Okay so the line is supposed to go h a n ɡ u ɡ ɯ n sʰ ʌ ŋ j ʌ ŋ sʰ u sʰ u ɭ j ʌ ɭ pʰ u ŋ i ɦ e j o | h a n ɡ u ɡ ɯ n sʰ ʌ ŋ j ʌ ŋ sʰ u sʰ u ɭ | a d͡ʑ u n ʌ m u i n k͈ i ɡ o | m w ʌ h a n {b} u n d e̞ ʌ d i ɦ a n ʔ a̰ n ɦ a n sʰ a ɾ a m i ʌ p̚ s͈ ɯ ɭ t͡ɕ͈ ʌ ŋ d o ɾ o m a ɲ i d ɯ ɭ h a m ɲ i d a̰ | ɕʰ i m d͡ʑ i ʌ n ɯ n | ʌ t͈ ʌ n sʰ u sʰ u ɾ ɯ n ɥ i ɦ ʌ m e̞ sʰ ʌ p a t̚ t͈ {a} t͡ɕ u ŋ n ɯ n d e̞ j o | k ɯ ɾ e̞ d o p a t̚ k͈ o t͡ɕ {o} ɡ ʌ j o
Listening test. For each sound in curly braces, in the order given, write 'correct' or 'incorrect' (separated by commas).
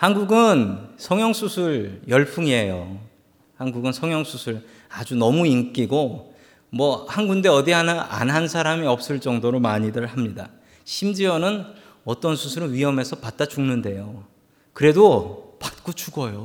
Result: incorrect, correct, incorrect